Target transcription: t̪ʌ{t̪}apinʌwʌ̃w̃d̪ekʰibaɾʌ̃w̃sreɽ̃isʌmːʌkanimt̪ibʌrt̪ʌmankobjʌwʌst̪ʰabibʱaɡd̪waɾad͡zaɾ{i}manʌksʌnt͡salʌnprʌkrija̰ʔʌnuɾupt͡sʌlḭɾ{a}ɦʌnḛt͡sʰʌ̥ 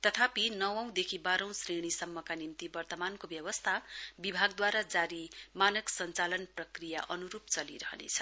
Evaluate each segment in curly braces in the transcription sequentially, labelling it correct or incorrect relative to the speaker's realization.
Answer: incorrect, correct, incorrect

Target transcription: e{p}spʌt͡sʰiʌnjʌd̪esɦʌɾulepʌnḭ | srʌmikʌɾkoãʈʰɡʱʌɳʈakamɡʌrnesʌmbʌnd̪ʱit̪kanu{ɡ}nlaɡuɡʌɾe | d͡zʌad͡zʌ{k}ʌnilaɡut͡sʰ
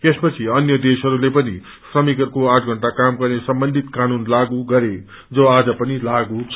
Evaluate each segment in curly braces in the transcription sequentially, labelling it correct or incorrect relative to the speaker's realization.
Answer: incorrect, incorrect, incorrect

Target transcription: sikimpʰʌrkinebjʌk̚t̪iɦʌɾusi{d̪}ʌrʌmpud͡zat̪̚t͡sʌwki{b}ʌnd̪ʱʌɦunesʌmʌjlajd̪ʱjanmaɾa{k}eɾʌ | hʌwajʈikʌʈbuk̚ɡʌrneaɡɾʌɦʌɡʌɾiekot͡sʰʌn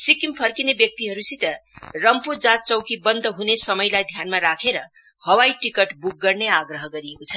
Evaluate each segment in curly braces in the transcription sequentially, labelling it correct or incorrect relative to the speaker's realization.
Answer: incorrect, correct, incorrect

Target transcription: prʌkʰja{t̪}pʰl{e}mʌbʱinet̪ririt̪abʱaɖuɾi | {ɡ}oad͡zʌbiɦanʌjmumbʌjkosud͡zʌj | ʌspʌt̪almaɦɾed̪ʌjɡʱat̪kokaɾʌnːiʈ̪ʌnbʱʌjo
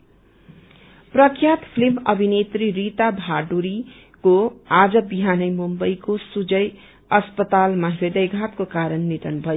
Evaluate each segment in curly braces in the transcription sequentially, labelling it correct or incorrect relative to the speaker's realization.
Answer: correct, incorrect, incorrect

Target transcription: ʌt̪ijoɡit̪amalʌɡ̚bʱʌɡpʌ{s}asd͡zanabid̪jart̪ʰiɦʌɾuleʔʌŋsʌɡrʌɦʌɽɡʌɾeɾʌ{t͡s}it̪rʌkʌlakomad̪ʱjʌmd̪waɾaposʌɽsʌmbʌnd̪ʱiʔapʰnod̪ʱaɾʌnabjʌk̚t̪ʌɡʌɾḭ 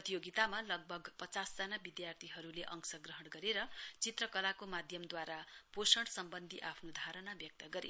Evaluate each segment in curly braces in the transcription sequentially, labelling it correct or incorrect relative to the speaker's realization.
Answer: incorrect, correct

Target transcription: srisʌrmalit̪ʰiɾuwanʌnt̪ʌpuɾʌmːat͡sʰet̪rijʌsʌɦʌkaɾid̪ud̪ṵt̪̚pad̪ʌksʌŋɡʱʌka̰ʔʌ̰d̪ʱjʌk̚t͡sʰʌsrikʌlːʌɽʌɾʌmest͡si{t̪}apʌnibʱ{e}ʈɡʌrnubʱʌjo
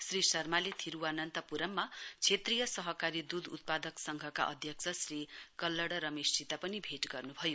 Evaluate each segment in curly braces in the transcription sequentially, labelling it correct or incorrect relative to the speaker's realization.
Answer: correct, correct

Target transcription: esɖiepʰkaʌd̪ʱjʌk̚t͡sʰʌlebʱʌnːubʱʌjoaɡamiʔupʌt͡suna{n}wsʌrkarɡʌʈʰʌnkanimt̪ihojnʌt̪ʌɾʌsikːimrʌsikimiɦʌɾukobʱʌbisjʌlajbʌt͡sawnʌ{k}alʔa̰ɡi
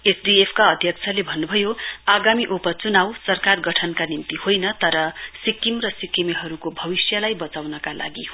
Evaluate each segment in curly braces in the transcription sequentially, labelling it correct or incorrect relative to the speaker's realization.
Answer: incorrect, correct

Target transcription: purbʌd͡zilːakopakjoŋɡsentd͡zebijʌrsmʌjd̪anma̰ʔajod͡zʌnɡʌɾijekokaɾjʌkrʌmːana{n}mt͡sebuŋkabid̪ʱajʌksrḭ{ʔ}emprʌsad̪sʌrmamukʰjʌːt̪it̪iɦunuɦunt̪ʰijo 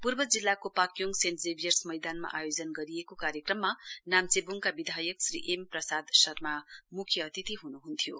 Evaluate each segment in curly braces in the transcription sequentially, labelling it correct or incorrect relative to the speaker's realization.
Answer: incorrect, correct

